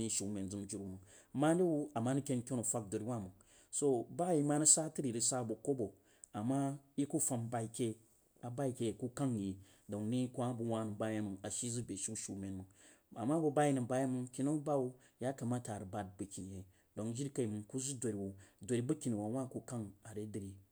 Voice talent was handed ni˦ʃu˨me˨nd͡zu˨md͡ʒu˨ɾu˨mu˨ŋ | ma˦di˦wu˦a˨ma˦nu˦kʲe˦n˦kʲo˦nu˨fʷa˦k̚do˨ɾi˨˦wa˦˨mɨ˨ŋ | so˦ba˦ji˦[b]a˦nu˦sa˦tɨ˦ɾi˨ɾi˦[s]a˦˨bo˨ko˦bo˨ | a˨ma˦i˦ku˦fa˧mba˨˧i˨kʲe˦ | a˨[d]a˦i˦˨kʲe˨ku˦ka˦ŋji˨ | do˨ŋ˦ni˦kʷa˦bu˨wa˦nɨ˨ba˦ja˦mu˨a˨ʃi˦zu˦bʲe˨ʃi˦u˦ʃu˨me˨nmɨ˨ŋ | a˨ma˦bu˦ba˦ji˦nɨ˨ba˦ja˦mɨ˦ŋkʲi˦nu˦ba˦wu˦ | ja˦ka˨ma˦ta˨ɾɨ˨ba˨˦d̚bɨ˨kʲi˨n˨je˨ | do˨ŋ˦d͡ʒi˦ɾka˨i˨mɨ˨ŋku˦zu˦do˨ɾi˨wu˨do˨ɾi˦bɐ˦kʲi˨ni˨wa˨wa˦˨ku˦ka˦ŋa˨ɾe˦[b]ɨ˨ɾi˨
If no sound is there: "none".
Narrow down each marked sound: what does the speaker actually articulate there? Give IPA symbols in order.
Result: m, s, b, d

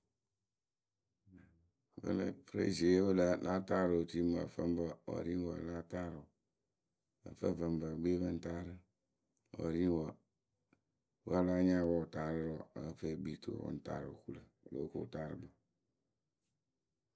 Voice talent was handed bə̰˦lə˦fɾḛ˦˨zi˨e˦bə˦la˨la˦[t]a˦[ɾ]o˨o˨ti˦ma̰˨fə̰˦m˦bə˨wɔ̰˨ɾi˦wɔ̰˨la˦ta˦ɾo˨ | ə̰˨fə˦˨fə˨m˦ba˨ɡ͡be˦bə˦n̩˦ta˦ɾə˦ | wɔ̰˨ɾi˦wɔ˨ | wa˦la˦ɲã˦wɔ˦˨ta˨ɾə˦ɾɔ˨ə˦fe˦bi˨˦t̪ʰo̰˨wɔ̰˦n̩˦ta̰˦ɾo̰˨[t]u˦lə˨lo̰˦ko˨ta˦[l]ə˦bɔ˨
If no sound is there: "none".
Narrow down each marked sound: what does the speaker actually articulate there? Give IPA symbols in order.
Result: t, ɾ, k, ɾ

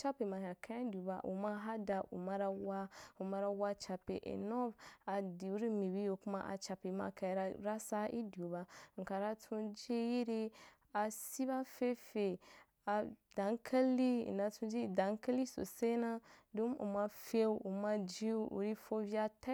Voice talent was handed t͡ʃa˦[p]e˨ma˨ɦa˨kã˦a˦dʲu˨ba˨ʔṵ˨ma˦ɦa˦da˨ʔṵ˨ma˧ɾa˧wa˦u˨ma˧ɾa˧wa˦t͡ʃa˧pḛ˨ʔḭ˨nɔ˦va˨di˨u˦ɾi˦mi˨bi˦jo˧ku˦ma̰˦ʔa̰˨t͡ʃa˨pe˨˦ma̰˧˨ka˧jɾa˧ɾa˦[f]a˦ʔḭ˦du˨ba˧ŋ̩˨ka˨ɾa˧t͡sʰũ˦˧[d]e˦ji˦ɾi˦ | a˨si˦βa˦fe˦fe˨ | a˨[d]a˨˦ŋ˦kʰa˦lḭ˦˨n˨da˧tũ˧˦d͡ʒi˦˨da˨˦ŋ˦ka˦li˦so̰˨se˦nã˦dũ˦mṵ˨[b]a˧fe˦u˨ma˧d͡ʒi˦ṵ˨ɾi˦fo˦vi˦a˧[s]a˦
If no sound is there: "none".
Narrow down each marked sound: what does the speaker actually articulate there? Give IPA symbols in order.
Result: p, s, d͡ʒ, d, m, t

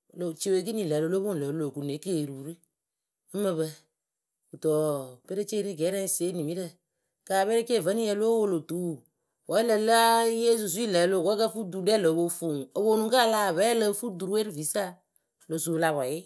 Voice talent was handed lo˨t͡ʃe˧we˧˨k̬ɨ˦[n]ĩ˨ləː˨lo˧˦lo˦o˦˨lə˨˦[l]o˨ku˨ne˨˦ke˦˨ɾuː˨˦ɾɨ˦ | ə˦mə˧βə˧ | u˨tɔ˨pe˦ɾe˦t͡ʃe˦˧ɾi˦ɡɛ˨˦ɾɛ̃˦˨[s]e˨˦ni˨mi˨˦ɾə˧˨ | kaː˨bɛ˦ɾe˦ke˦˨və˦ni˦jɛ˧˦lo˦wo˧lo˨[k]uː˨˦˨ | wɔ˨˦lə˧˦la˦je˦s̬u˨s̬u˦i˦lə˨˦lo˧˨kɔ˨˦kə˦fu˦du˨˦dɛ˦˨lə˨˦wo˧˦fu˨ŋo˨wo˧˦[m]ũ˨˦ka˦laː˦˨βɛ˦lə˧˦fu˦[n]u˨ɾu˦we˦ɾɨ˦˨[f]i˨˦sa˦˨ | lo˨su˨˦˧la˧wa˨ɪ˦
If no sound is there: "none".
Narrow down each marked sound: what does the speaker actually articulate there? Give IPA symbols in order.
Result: n, l, s, t, n, d, v

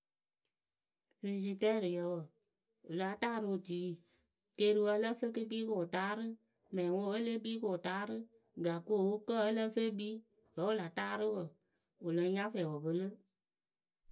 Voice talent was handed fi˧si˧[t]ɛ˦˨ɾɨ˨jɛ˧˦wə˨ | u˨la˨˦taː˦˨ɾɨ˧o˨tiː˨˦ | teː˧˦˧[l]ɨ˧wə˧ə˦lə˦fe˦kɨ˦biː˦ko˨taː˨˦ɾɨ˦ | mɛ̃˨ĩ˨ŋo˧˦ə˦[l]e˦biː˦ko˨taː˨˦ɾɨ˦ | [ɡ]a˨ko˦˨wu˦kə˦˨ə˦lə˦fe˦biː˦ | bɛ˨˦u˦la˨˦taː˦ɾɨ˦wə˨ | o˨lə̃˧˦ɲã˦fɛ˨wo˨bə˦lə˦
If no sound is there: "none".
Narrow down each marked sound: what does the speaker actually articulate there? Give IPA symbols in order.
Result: t, ɾ, l, ɡ

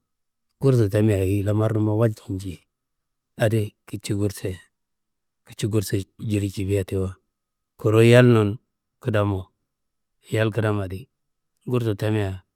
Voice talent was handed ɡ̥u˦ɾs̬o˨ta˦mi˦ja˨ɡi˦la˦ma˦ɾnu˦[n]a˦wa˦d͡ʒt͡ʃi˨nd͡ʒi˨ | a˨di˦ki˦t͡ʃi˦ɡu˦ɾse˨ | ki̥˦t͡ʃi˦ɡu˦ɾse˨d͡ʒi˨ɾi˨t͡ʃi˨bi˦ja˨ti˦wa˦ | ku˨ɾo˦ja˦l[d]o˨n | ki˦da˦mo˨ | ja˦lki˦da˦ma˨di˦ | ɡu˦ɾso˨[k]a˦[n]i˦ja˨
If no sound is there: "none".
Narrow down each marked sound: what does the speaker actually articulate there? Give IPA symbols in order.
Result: m, n, t, m

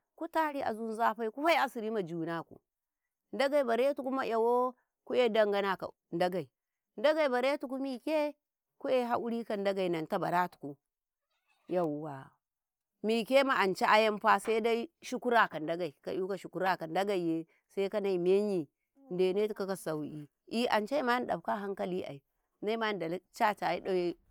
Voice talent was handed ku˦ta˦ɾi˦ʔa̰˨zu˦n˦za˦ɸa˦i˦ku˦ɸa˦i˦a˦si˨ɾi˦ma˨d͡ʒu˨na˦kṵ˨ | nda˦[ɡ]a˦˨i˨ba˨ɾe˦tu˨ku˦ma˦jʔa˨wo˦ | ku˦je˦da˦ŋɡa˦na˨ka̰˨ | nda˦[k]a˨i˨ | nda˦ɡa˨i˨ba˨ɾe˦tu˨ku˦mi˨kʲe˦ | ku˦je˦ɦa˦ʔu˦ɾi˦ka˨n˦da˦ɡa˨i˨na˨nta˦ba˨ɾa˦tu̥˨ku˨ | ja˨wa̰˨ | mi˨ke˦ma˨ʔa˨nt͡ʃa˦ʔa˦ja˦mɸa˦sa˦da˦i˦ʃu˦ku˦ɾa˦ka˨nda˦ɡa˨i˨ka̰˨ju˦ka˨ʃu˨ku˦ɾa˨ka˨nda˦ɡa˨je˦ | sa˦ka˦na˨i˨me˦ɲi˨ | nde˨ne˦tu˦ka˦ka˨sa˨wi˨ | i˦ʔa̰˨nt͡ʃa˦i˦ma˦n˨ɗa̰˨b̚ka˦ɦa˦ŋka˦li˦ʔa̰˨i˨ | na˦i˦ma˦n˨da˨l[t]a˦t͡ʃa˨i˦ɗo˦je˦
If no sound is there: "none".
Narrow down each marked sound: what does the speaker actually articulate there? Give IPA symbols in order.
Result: ɡ, ɡ, t͡ʃ

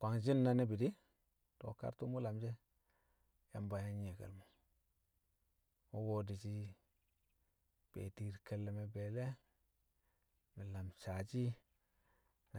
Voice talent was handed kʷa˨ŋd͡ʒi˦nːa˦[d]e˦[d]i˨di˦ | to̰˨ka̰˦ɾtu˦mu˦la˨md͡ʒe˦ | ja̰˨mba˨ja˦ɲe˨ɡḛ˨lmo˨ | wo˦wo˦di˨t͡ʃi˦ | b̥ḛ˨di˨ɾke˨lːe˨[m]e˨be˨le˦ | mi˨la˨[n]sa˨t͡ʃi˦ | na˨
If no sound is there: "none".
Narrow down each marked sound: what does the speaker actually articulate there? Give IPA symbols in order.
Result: n, b, m, m

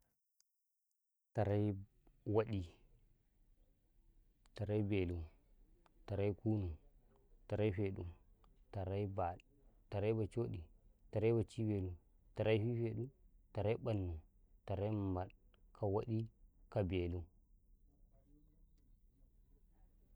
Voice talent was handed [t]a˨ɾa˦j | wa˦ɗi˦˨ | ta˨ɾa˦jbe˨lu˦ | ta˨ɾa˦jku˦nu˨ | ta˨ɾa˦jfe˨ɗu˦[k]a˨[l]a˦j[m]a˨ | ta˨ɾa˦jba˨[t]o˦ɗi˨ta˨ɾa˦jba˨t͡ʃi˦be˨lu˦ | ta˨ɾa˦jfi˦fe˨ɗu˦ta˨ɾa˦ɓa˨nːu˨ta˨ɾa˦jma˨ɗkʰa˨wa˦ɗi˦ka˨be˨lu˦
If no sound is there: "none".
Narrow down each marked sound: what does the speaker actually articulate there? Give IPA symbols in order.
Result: t, t, ɾ, b, t͡ʃ

